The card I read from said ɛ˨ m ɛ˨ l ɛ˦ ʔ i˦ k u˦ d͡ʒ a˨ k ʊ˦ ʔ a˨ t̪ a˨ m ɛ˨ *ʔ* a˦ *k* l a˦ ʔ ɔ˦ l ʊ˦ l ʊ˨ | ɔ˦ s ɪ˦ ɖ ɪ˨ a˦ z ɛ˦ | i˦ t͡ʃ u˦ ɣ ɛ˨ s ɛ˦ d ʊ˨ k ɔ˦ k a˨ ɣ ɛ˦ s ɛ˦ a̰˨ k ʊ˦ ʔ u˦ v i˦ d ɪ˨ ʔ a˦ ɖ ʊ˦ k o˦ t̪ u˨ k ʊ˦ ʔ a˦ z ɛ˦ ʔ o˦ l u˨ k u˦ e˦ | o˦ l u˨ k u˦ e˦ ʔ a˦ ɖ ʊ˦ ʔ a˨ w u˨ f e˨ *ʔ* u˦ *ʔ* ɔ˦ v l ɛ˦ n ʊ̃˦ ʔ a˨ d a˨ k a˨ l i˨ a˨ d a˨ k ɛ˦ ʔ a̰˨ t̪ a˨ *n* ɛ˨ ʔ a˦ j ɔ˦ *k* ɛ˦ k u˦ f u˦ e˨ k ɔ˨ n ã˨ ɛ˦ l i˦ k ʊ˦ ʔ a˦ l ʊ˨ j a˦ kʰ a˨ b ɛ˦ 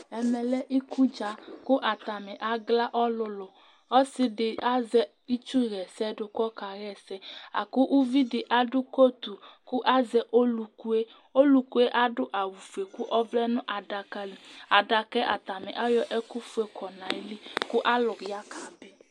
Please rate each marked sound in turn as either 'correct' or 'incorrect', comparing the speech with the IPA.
correct, incorrect: ɡ, incorrect: k, correct, incorrect: m, incorrect: ʔ

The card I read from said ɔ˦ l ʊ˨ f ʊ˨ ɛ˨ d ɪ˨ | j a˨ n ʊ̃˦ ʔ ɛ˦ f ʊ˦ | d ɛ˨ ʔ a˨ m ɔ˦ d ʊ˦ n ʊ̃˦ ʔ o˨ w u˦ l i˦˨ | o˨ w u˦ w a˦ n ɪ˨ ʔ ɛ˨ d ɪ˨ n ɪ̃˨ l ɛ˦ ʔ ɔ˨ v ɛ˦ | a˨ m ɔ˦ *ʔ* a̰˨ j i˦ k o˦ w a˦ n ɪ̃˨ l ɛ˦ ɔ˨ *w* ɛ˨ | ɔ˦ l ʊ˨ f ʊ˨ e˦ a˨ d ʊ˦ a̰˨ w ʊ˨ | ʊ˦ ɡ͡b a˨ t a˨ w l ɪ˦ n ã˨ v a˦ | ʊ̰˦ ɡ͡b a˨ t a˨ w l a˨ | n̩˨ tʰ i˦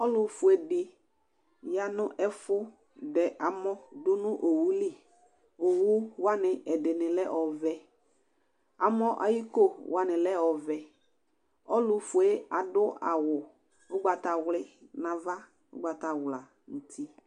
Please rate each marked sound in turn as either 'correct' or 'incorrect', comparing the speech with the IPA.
correct, incorrect: v

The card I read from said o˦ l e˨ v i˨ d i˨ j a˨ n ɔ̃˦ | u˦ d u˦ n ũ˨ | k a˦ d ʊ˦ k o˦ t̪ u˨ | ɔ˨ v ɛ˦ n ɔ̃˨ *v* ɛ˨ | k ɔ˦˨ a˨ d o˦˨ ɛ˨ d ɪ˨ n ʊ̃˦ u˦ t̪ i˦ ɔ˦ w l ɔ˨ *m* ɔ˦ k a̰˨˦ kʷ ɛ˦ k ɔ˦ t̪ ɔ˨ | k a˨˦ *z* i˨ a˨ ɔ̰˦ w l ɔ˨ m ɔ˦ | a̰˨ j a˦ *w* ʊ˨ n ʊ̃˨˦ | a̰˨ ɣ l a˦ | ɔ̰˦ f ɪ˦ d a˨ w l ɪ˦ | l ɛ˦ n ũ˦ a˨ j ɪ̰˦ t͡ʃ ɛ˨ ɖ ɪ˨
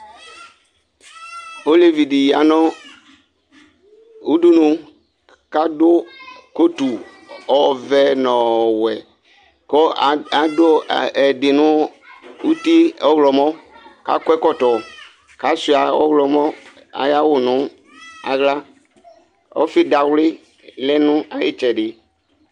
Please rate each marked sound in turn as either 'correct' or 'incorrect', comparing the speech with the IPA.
incorrect: w, correct, incorrect: s, correct

